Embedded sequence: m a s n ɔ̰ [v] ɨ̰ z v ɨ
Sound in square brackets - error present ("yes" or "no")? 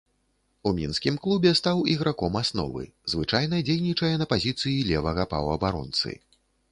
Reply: no